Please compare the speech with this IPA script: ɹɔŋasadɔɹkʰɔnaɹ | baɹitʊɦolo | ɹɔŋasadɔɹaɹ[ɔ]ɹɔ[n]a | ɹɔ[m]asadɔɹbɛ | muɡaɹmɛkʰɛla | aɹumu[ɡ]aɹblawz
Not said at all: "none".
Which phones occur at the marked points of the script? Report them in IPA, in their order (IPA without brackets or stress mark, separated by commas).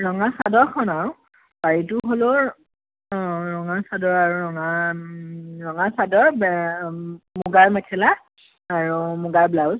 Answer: u, ŋ, ŋ, ɡ